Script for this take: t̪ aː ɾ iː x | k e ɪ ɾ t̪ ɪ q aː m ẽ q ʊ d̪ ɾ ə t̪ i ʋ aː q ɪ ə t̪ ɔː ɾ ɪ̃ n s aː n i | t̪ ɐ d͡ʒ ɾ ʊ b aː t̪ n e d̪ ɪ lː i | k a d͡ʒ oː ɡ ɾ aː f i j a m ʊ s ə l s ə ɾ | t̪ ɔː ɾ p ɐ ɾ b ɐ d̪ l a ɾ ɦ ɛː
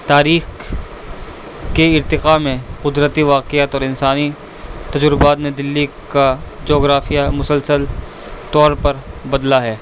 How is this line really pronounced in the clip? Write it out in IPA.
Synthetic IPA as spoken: t̪ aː ɾ iː x | k e ɪ ɾ t̪ ɪ q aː m ẽ q ʊ d̪ ɾ ə t̪ i ʋ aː q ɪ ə t̪ ɔː ɾ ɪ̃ n s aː n i | t̪ ɐ d͡ʒ ɾ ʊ b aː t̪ n e d̪ ɪ lː i | k a d͡ʒ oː ɡ ɾ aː f i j a m ʊ s ə l s ə l | t̪ ɔː ɾ p ɐ ɾ b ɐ d̪ l a ɦ ɛː